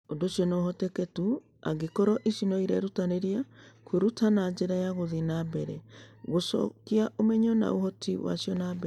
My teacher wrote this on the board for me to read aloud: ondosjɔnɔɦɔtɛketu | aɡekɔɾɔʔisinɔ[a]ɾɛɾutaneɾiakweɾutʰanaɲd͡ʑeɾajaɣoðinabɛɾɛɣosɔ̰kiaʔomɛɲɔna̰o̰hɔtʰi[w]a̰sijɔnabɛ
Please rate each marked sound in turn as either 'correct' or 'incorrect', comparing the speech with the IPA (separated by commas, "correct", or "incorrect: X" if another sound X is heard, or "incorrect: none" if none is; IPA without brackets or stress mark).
incorrect: i, correct